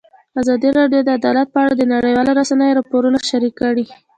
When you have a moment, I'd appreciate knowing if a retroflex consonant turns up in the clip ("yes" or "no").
yes